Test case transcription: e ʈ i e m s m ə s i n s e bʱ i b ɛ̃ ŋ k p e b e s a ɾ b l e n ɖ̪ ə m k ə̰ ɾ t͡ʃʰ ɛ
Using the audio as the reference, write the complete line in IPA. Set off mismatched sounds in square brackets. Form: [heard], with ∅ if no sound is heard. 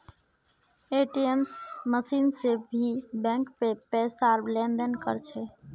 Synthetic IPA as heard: e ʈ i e m s m ə s i n s e bʱ i b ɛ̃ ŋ k p e [p] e s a ɾ b l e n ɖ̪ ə [n] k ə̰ ɾ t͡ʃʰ ɛ